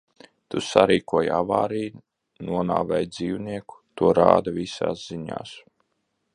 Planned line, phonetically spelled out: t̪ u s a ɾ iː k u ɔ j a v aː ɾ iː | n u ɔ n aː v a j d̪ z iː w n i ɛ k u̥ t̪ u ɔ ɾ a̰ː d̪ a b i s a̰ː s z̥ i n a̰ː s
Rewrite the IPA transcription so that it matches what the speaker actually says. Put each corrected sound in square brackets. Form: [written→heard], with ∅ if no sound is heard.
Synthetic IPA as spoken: t̪ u s a ɾ iː k u ɔ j a v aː ɾ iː | n u ɔ n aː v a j d̪ z iː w n i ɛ k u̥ t̪ u ɔ ɾ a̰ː d̪ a [b→v] i s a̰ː s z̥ i [n→ɲ] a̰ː s